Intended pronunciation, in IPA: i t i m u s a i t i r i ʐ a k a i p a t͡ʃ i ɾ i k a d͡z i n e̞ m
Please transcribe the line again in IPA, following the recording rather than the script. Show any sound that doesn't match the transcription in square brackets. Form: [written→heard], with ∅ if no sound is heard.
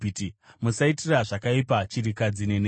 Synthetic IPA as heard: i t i m u s a i t i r [i→a] ʐ a k a i p a t͡ʃ i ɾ i k a d͡z i n e̞ [m→n]

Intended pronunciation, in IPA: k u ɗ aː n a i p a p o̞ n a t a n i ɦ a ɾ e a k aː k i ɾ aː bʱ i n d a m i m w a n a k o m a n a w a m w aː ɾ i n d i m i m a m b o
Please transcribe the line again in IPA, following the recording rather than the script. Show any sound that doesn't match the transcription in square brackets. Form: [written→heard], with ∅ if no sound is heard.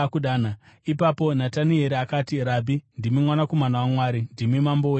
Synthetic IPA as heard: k u ɗ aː n a i p a p o̞ n a t a n i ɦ [a→e] ɾ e a k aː [k→t] i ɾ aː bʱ i n d [a→i] m i m w a n a k o m a n a w a m w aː ɾ i n d i m i m a m b o

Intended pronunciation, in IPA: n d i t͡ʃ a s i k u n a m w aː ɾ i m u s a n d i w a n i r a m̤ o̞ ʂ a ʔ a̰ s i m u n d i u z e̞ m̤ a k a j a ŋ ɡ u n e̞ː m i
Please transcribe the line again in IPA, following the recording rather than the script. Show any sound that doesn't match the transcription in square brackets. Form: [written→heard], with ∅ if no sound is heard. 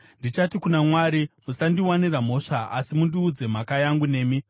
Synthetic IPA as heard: n d i t͡ʃ a [s→t] i k u n a m w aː ɾ i m u s a n d i w a n i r a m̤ o̞ ʂ a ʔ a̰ s i m u n d i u [z→d͡z] e̞ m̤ a k a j a ŋ ɡ u n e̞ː m i

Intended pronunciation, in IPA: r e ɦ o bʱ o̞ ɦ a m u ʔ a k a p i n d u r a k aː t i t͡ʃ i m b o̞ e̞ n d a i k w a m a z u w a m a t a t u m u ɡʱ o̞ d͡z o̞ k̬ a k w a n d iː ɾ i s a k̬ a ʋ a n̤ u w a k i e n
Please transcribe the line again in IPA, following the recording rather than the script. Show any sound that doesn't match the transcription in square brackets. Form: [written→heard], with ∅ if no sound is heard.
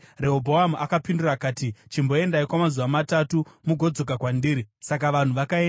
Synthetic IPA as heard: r e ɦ o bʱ o̞ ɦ a m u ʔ a k a p i n d u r a k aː t i t͡ʃ i m b o̞ e̞ n d a i k w a m a z u [w→ʋ] a m a t a t u m u ɡʱ o̞ d͡z o̞ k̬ a k w a n d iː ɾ i s a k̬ a ʋ a n̤ u [w→ʋ] a k [i→a] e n

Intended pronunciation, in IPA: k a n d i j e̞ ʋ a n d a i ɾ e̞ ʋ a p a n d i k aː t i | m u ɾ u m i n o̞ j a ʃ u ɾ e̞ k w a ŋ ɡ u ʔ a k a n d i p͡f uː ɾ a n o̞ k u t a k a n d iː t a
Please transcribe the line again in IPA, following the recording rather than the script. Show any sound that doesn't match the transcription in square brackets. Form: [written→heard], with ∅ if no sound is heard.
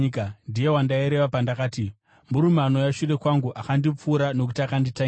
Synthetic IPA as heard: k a n d i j e̞ [ʋ→w] a n d a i ɾ e̞ ʋ a p a n d [i→a] k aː t i | m u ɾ u m [i→a] n o̞ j a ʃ u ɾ e̞ k w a ŋ ɡ u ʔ a k a n d i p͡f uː ɾ a n o̞ k u t a k a n d [iː→i] t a

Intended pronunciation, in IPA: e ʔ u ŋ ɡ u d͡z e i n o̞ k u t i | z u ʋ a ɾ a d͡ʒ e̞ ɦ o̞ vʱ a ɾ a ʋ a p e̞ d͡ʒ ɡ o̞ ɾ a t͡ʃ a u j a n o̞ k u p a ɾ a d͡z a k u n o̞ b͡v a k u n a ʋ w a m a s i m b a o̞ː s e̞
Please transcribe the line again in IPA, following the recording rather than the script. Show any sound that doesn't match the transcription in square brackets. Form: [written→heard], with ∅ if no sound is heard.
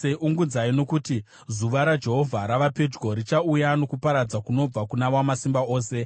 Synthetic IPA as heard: e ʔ u ŋ ɡ u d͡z [e→a] i n o̞ k u t i | z u ʋ a ɾ a d͡ʒ e̞ ɦ o̞ vʱ a ɾ a ʋ a p e̞ d͡ʒ ɡ o̞ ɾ [a→i] t͡ʃ a u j a n o̞ k u p a ɾ a d͡z a k u n o̞ b͡v a k u n a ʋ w a m a s i m b a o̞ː s e̞

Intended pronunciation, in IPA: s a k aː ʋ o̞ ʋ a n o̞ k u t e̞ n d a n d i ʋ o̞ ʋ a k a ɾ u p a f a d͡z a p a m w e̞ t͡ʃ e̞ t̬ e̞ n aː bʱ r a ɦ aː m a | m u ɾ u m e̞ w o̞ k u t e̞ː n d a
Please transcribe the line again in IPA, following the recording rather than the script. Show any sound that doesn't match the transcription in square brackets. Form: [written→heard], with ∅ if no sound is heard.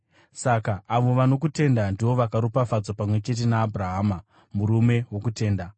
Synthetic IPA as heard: s a k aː ʋ o̞ ʋ a n o̞ k u t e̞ n d a n d i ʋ o̞ ʋ a k a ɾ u p a f a d͡z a p a m w e̞ t͡ʃ e̞ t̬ e̞ n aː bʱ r a ɦ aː m a | m u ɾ u m e̞ w o̞ k u t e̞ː n d a

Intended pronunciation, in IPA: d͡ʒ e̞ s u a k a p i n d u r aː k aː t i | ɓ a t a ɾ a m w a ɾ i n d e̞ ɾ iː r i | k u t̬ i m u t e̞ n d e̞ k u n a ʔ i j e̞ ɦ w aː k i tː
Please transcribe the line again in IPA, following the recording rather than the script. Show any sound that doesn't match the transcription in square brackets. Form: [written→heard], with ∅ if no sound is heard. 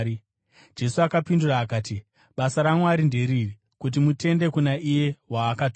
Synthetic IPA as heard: d͡ʒ e̞ s u a k a p i n d u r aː k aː t i | ɓ a [t→s] a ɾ a m w a ɾ i n d e̞ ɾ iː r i | k u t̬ i m u t e̞ n d e̞ k u n a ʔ i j e̞ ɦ w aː k [i→a] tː

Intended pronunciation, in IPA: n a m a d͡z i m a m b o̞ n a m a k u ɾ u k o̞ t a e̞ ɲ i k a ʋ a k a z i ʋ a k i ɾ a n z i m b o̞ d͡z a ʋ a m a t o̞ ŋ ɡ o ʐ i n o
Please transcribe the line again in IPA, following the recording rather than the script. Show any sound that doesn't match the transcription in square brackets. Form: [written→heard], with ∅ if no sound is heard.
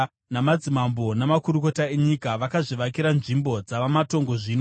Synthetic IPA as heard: n a m a d͡z i m a m b o̞ n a m a k u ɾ u k o̞ t a e̞ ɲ i k a ʋ a k a [z→ʐ] i ʋ a k i ɾ a n [z→ʐ] i m b o̞ d͡z a ʋ a m a t o̞ ŋ ɡ o ʐ i n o

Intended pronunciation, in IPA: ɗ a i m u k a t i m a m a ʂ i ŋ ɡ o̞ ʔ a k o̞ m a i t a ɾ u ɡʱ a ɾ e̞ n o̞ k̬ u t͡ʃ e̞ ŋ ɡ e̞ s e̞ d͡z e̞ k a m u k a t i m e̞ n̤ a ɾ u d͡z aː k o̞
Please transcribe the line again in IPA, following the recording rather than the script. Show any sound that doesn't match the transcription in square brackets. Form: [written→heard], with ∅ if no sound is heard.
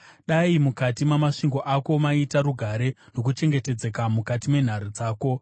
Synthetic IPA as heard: ɗ a i m u k a t i m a m a ʂ i ŋ ɡ o̞ ʔ a k o̞ m a i t a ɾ u ɡʱ a ɾ e̞ n o̞ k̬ u t͡ʃ e̞ ŋ ɡ e̞ [s→t] e̞ d͡z e̞ k a m u k a t i m e̞ n̤ a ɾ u d͡z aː k o̞

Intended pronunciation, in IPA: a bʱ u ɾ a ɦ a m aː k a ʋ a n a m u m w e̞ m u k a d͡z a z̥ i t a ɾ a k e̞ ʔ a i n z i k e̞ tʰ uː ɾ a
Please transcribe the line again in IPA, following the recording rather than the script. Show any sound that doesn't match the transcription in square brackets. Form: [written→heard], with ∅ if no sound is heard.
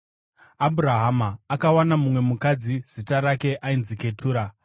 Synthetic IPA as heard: a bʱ u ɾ a ɦ a m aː k a [ʋ→w] a n a m u m w e̞ m u k a d͡z [a→i] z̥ i t a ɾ a k e̞ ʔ a i n z i k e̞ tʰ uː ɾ a

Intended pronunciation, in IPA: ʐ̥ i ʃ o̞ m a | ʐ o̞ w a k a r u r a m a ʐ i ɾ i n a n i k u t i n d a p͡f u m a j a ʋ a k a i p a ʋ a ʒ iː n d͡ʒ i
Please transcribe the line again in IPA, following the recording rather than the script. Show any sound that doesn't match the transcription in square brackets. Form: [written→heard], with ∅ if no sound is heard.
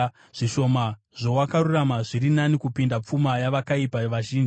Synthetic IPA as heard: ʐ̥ i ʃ o̞ m a | ʐ o̞ w a k a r u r a m a ʐ i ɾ i n a n i k u [t→p] i n d a p͡f u m a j a ʋ a k a i p a ʋ a ʒ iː n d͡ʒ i

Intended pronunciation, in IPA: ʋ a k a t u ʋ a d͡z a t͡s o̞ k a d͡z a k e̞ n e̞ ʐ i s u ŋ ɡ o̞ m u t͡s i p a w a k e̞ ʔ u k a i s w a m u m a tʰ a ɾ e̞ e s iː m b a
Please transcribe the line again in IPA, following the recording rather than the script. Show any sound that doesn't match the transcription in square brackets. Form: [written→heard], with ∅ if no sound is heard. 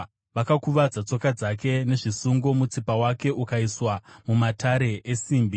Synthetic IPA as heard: ʋ a k a [t→k] u ʋ a d͡z a t͡s o̞ k a d͡z a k e̞ n e̞ ʐ i s u ŋ ɡ o̞ m u t͡s i p a w a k e̞ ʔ u k a i s w a m u m a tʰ a ɾ e̞ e s iː m b [a→i]

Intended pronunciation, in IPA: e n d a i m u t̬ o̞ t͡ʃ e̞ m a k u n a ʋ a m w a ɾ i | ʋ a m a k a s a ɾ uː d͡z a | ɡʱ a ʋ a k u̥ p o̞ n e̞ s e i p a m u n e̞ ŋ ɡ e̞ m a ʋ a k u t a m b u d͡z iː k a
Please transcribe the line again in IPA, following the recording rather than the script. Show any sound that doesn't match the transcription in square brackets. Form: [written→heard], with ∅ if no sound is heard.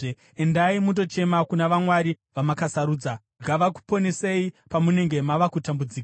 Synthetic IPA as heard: e n d a i m u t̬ o̞ t͡ʃ e̞ m a k u n a ʋ a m w a ɾ i | ʋ a m a k a s a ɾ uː d͡z a | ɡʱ a ʋ a k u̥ p o̞ n e̞ s e i p a m u n e̞ ŋ ɡ e̞ m a ʋ a k u t a m b u d͡z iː k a

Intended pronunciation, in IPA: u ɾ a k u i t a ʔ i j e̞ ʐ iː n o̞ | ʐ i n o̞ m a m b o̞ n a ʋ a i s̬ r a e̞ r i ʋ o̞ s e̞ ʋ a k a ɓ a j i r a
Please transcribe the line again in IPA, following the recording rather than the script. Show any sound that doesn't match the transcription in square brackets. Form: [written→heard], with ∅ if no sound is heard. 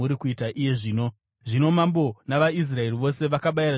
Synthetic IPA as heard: u ɾ [a→i] k u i t a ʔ i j e̞ ʐ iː n o̞ | ʐ i n o̞ m a m b o̞ n a ʋ a i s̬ r a e̞ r i ʋ o̞ s e̞ ʋ a k a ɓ a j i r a

